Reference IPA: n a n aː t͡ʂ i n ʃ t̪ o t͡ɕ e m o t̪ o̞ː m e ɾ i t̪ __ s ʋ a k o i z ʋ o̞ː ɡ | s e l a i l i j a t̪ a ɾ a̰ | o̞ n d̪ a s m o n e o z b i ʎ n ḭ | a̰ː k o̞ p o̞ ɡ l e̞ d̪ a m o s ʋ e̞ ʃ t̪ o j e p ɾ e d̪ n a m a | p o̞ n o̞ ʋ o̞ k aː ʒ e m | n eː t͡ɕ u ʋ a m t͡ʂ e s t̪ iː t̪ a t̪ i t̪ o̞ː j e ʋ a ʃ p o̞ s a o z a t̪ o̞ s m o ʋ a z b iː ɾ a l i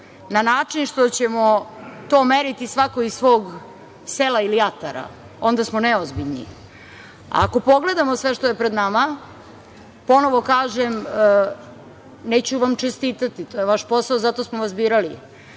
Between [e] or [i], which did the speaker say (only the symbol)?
i